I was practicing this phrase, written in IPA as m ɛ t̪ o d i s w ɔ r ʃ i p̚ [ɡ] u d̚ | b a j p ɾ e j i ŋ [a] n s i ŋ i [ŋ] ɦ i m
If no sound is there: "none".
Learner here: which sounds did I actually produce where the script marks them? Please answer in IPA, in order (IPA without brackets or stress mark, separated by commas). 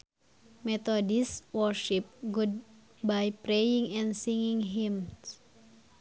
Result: ɡ, ɛ, ŋ